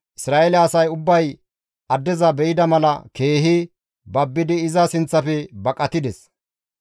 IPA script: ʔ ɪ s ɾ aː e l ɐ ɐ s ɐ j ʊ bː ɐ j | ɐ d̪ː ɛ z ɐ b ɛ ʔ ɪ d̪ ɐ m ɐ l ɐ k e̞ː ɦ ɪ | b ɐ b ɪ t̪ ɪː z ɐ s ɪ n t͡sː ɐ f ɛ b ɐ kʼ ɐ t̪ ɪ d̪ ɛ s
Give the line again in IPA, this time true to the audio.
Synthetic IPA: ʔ ɪ s ɾ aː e l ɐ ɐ s ɐ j ʊ bː ɐ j | ɐ d̪ː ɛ z ɐ b ɛ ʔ ɪ d̪ ɐ m ɐ l ɐ k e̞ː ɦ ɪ | b ɐ bː ɪ d̪ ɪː z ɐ s ɪ n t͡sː ɐ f ɛ b ɐ kʼ ɐ t̪ ɪ d̪ ɛ s

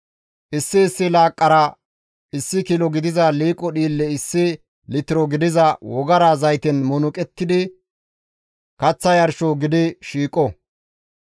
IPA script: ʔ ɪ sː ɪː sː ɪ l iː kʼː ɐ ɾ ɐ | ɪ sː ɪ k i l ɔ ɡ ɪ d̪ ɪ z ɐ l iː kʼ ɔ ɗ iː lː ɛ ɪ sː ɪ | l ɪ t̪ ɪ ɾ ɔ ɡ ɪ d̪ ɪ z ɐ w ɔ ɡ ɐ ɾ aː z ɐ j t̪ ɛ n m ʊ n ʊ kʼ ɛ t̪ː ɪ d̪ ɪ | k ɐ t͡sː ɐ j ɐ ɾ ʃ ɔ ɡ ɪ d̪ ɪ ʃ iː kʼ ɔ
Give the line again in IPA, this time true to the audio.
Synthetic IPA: ʔ ɪ sː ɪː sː ɪ l aː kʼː ɐ ɾ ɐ | ɪ sː ɪ k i l ɔ ɡ ɪ d̪ ɪ z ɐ l iː kʼ ɔ ɗ iː lː ɛ ɪ sː ɪ | l ɪ t̪ ɪ ɾ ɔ ɡ ɪ d̪ ɪ z ɐ w ɔ ɡ ɐ ɾ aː z ɐ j t̪ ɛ n m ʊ n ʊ kʼ ɛ t̪ː ɪ d̪ ɪ | k ɐ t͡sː ɐ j ɐ ɾ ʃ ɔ ɡ ɪ d̪ ɪ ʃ iː kʼ ɔ

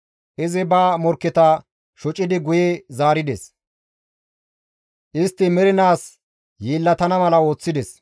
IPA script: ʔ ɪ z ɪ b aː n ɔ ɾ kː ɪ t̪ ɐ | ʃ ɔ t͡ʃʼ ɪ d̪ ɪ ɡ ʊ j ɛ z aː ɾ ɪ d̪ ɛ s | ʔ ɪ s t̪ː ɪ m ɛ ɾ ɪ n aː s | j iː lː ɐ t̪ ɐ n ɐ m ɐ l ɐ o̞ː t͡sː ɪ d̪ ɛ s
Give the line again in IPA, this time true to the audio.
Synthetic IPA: ʔ ɪ z ɪ b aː m ɔ ɾ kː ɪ t̪ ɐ | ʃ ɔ t͡ʃʼ ɪ d̪ ɪ ɡ ʊ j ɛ z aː ɾ ɪ d̪ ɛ s | ʔ ɪ s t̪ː ɪ m ɛ ɾ ɪ n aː s | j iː lː ɐ t̪ ɐ n ɐ m ɐ l ɐ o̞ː t͡sː ɪ d̪ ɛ s

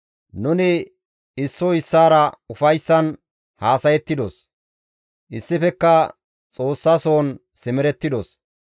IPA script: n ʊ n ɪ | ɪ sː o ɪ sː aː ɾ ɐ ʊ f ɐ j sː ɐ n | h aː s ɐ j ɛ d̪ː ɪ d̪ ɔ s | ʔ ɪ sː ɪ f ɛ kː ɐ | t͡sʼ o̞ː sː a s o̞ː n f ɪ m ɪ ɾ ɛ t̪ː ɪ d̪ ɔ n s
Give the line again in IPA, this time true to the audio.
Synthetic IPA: n ʊ n ɪ | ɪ sː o ɪ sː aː ɾ ɐ ʊ f ɐ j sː ɐ n | h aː s ɐ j ɛ t̪ː ɪ d̪ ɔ s | ʔ ɪ sː ɪ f ɛ kː ɐ | t͡sʼ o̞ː sː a s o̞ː n s ɪ m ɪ ɾ ɛ t̪ː ɪ d̪ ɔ s

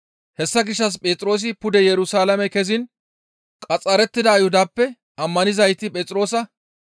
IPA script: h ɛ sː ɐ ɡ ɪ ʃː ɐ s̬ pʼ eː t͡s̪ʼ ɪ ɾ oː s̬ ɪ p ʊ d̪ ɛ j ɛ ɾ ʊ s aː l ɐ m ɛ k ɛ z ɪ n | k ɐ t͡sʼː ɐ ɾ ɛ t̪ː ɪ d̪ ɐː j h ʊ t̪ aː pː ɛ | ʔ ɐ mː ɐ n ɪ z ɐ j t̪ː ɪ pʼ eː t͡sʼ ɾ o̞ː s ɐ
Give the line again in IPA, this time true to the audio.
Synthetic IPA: h ɛ sː ɐ ɡ ɪ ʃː ɐ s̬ pʼ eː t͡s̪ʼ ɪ ɾ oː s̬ ɪ p ʊ d̪ ɛ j ɛ ɾ ʊ s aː l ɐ m ɛ k ɛ z ɪ n | kʼ ɐ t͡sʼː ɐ ɾ ɛ t̪ː ɪ d̪ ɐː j h ʊ d̪ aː pː ɛ | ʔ ɐ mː ɐ n ɪ z ɐ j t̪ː ɪ pʼ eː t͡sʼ ɾ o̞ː s ɐ

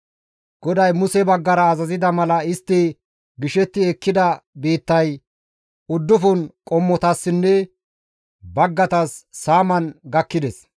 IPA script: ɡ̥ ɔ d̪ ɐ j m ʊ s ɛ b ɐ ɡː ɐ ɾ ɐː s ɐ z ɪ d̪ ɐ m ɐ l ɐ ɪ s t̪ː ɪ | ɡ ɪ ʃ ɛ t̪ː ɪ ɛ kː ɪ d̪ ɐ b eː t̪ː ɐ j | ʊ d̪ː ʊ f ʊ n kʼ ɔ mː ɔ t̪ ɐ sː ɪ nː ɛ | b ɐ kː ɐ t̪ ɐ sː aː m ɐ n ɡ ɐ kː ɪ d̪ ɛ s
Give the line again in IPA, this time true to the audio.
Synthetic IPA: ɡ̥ ɔ d̪ ɐ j m ʊ s ɛ b ɐ ɡː ɐ ɾ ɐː z ɐ z ɪ d̪ ɐ m ɐ l ɐ ɪ s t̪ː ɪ | ɡ ɪ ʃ ɛ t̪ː ɪ ɛ kː ɪ d̪ ɐ b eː t̪ː ɐ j | ʊ d̪ː ʊ f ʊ n kʼ ɔ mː ɔ t̪ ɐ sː ɪ nː ɛ | b ɐ ɡː ɐ t̪ ɐ sː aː m ɐ n ɡ ɐ kː ɪ d̪ ɛ s

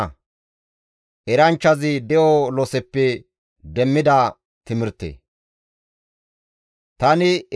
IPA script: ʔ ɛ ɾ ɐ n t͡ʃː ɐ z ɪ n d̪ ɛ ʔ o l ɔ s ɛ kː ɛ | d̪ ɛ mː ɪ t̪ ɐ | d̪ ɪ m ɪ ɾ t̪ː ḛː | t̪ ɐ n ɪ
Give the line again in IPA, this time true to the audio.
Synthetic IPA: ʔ ɛ ɾ ɐ n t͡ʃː ɐ z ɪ d̪ ɛ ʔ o l ɔ s ɛ pː ɛ | d̪ ɛ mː ɪ d̪ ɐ | t̪ ɪ m ɪ ɾ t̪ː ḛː | t̪ ɐ n ɪ

